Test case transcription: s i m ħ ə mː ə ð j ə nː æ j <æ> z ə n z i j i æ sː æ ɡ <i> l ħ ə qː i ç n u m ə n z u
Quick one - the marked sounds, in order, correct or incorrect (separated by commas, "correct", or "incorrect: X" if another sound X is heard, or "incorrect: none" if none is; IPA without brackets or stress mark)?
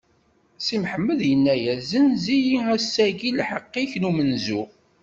correct, correct